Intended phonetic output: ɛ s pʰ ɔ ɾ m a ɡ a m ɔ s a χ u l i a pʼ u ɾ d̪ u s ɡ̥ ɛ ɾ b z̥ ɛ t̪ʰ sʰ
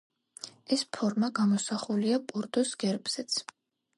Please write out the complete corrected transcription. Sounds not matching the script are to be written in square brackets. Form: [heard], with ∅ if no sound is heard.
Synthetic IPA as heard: ɛ s pʰ ɔ ɾ m a ɡ a m ɔ s a χ u l i a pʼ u ɾ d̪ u s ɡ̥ ɛ ɾ b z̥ ɛ [t̪] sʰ